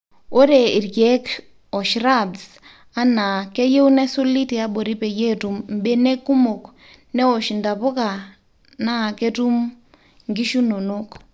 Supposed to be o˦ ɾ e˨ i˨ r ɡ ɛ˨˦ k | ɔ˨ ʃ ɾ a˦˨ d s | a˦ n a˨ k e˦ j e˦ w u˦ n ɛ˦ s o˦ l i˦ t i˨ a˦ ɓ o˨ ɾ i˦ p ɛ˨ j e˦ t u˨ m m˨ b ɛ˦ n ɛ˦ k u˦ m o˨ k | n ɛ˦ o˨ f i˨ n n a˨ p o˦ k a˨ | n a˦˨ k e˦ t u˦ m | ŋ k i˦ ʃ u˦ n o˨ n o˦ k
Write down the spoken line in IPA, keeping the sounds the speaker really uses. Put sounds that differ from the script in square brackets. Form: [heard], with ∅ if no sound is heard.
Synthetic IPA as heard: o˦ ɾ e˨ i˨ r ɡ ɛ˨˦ k | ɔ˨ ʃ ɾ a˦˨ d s | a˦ n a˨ k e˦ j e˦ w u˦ n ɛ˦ s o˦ l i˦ t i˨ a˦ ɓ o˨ ɾ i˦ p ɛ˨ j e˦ t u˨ m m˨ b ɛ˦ n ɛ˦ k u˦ m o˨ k | n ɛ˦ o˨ [ʃ] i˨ n [d] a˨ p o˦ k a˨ | n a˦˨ k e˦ t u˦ m | ŋ [ɡ] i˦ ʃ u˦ n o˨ n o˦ k